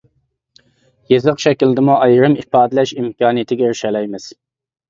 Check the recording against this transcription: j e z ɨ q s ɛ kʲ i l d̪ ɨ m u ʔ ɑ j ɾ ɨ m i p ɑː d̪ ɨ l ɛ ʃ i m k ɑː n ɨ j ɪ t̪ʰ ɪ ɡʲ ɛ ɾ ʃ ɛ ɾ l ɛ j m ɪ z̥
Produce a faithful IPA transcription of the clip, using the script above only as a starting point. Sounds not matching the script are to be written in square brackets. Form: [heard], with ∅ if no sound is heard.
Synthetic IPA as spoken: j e z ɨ q [ʃ] ɛ kʲ i l d̪ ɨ m u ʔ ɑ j ɾ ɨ m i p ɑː d̪ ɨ l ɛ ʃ i m k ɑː n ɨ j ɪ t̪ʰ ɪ ɡʲ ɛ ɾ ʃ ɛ [∅] l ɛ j m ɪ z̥